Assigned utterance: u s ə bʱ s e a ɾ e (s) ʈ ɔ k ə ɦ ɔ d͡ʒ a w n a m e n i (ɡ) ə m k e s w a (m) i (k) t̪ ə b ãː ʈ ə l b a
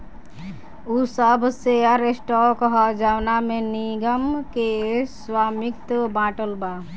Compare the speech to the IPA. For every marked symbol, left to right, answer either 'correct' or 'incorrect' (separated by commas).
correct, correct, correct, correct